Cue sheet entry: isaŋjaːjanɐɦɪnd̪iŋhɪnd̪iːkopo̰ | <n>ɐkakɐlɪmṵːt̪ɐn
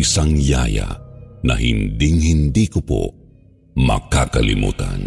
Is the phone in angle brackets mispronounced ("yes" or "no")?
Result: yes